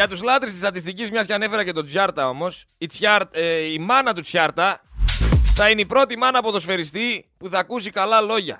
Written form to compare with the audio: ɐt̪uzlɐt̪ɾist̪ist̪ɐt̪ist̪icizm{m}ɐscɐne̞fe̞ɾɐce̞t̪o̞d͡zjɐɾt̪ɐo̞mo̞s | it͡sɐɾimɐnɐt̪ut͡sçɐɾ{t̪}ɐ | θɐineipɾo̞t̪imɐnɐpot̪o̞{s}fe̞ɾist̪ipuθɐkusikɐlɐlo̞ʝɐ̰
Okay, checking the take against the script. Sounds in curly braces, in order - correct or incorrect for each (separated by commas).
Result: incorrect, correct, correct